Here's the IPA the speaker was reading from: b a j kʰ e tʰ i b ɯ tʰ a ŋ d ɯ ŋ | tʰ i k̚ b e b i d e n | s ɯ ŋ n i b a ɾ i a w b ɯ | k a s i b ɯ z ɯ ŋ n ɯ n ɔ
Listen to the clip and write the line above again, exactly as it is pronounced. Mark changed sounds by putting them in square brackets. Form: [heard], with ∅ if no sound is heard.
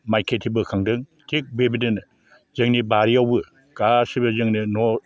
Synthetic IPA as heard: [m] a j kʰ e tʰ i b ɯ [kʰ] a ŋ d ɯ ŋ | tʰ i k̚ b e b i d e n | [z] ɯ ŋ n i b a ɾ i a w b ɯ | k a s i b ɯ z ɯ ŋ n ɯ n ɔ